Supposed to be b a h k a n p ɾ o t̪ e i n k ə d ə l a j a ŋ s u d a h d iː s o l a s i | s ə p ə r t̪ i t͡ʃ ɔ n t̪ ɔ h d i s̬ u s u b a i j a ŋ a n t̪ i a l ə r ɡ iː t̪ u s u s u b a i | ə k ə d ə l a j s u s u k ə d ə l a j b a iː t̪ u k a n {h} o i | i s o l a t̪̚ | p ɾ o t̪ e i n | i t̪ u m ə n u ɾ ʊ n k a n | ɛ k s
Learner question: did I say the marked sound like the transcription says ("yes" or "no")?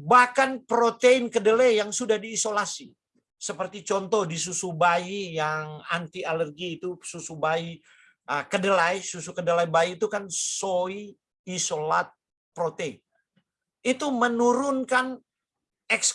no